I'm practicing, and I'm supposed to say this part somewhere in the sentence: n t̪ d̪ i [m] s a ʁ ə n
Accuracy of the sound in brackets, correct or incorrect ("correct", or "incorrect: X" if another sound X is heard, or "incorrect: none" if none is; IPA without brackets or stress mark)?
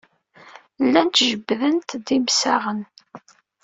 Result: correct